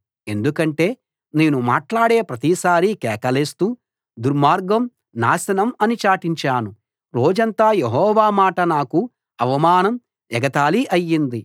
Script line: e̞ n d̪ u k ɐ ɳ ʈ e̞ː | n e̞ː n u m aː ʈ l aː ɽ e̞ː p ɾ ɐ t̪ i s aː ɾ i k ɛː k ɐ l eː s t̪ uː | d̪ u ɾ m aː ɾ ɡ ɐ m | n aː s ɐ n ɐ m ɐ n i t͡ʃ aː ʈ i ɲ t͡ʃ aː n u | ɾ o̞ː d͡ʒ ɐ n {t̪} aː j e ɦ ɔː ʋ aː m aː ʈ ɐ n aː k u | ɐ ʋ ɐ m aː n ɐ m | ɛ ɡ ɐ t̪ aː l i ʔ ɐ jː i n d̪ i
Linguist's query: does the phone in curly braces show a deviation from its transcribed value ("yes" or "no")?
no